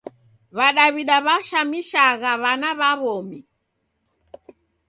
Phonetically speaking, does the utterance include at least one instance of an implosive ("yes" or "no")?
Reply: yes